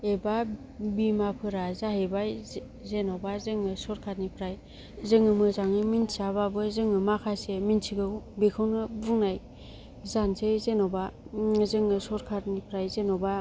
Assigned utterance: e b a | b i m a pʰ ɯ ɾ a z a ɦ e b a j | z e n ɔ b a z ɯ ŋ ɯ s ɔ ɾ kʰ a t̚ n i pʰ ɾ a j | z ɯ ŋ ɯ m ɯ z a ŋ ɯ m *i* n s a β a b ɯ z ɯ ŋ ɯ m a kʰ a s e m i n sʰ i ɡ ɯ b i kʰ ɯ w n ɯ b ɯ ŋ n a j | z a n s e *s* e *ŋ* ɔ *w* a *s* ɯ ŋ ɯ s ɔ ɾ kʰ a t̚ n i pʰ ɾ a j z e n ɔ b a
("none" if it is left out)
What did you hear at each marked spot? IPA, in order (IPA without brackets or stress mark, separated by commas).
i, z, n, b, z